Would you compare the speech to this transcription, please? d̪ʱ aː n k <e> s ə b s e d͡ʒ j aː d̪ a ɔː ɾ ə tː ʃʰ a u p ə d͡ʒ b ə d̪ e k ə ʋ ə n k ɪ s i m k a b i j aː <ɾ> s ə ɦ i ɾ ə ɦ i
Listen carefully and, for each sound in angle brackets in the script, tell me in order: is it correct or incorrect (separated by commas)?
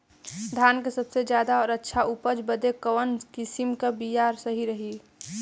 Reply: correct, correct